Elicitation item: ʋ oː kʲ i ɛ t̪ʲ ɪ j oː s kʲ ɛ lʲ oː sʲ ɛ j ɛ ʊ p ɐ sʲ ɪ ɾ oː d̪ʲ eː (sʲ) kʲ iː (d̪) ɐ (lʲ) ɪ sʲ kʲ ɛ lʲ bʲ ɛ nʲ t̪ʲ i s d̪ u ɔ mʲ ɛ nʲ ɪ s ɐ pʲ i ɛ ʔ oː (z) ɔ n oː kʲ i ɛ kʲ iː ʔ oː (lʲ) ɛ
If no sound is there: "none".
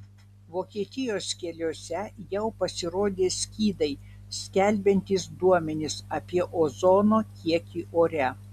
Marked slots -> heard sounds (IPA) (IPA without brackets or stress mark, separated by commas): sʲ, d̪, none, z, ɾʲ